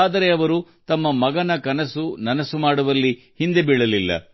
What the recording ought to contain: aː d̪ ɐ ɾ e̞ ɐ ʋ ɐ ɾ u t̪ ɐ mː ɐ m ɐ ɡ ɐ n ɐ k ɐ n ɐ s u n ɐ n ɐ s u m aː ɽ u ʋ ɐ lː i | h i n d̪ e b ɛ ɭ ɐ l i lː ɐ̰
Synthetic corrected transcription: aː d̪ ɐ ɾ e̞ ɐ ʋ ɐ ɾ u t̪ ɐ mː ɐ m ɐ ɡ ɐ n ɐ k ɐ n ɐ s u n ɐ n ɐ s u m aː ɽ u ʋ ɐ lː i | h i n d̪ e b i ɭ ɐ l i lː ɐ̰